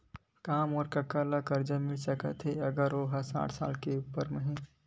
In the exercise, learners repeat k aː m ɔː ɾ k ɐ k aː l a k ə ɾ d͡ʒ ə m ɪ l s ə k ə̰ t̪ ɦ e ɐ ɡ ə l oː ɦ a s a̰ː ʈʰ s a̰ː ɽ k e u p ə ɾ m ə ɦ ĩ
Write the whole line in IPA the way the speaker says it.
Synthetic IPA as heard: k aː m ɔː ɾ k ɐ k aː l a k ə ɾ d͡ʒ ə m ɪ l s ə k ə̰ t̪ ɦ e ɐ ɡ ə ɾ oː ɦ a s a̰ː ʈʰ s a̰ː l k e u p ə ɾ m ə ɦ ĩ